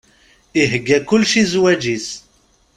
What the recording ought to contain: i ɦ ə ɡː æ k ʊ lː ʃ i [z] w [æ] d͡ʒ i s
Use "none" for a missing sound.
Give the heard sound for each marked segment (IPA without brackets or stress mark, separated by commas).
z, æ